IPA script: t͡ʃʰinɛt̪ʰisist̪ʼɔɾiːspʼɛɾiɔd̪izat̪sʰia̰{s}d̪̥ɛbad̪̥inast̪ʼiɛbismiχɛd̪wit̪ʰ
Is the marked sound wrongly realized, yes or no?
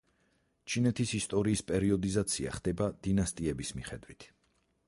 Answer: yes